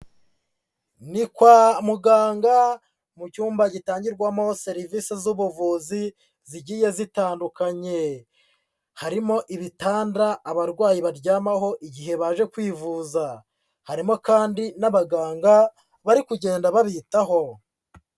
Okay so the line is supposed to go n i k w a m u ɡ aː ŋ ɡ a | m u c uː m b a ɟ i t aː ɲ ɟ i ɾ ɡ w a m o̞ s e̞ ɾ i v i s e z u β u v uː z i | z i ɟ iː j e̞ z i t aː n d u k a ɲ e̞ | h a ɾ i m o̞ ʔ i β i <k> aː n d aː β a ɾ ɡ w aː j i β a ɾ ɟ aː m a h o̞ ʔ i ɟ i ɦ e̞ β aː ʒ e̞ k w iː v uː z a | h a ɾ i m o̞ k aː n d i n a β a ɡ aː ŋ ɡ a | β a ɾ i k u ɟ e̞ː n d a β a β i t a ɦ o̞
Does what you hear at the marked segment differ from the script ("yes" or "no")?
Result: yes